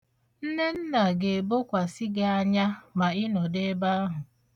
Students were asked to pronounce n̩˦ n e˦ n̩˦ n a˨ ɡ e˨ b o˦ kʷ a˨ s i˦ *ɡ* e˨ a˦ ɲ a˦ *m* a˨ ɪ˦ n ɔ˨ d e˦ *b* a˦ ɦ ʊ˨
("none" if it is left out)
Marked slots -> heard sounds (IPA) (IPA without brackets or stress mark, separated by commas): ɡ, m, b